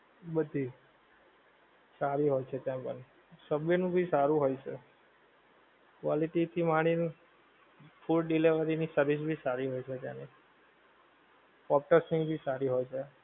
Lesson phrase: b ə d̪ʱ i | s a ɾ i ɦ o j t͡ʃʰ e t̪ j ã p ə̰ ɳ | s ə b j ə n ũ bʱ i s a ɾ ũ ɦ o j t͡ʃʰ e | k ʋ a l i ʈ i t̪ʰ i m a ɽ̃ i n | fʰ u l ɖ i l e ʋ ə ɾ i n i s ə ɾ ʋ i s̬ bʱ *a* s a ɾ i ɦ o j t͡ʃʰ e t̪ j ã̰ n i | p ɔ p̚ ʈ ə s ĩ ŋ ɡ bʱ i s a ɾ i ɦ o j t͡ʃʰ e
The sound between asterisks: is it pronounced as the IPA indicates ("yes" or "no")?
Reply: no